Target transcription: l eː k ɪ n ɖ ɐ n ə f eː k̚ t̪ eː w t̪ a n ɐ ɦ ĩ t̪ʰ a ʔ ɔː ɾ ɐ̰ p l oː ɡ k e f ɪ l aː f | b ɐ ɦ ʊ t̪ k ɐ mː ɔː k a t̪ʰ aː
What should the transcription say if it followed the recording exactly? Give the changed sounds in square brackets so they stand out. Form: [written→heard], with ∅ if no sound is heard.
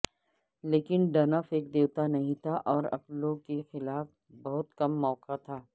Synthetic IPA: l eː k ɪ n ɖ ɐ n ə f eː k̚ [t̪→d̪] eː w t̪ a n ɐ ɦ ĩ t̪ʰ a ʔ ɔː ɾ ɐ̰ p l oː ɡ k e [f→x] ɪ l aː f | b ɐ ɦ ʊ t̪ k ɐ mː ɔː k a t̪ʰ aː